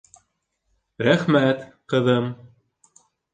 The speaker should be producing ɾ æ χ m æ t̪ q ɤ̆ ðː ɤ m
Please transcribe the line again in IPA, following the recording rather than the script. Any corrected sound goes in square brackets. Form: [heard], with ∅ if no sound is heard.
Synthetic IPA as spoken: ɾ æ χ m æ t̪ q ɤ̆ [ð] ɤ m